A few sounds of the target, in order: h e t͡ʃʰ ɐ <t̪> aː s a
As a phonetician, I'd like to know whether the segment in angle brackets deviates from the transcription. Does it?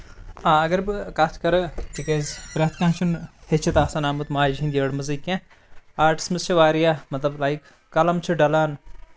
no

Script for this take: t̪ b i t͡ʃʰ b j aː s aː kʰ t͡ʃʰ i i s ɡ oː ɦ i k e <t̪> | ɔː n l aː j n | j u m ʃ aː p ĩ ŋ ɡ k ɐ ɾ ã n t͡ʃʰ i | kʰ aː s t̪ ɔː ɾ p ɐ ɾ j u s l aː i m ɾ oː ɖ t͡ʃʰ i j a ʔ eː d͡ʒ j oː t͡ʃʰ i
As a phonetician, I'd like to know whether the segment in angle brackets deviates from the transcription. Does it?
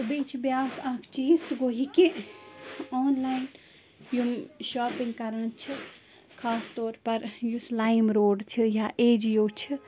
yes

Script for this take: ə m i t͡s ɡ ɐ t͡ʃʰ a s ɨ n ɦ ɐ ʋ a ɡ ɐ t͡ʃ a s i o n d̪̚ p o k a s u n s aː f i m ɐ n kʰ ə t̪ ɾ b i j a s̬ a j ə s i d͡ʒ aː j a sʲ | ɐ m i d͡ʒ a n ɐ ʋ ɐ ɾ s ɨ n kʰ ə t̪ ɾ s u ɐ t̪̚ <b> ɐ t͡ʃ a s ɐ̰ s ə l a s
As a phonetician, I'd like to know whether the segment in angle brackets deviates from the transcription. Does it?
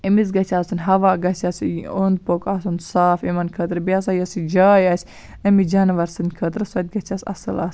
yes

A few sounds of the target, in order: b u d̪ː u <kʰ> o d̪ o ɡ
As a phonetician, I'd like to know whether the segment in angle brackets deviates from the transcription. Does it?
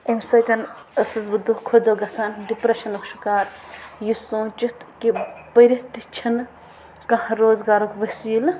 no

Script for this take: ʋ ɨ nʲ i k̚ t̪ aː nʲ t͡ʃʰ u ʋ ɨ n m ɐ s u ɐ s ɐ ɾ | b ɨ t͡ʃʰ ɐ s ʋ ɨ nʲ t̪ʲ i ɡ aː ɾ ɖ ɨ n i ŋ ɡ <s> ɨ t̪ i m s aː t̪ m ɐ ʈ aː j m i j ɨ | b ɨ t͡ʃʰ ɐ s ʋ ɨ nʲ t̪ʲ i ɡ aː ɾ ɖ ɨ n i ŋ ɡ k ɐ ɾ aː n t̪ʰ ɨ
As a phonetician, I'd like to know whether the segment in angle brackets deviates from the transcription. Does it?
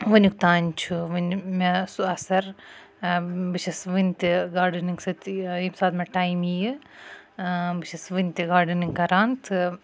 no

